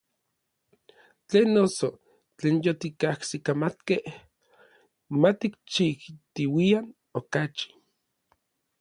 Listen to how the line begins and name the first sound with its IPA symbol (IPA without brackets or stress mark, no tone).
t͡ɬ